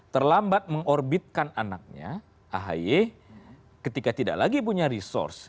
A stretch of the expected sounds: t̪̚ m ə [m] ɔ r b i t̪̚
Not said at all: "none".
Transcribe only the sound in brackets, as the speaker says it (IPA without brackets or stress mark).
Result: ŋ